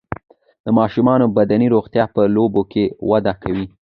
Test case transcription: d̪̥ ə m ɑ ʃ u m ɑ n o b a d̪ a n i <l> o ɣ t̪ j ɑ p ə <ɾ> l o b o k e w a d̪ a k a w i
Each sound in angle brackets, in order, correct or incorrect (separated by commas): incorrect, incorrect